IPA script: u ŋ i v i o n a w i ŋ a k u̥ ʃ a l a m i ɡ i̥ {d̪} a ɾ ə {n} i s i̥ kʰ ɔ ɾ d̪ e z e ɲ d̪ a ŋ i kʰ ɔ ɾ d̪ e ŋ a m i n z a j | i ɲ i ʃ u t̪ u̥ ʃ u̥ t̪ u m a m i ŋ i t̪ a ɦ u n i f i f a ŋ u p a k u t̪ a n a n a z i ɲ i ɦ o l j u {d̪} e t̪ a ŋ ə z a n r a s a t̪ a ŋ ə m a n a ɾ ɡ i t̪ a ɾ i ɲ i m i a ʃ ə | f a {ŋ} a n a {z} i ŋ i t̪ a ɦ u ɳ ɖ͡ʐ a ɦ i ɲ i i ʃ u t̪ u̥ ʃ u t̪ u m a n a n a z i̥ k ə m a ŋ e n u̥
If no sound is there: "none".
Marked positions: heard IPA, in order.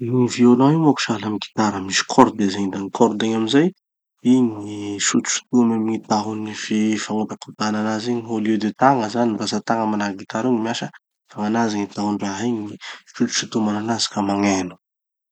t̪, m, d̪, ŋ, z

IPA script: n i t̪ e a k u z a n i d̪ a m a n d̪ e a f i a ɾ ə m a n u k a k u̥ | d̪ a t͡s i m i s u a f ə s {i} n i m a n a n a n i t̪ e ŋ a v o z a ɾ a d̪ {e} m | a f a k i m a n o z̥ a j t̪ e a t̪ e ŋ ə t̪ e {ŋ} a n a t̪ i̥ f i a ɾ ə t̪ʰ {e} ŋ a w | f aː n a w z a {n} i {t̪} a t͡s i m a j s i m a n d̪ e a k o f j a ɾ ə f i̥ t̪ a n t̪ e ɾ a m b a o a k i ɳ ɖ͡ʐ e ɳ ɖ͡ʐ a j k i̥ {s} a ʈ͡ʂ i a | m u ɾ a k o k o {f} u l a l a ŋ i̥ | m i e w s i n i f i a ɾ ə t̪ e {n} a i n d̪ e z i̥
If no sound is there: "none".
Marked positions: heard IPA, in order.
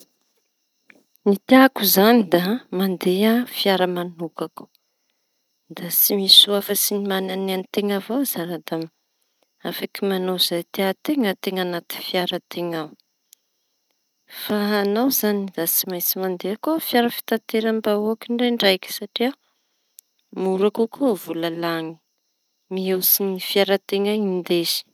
i, a, ŋ, e, n, d̪, s, v, ŋ

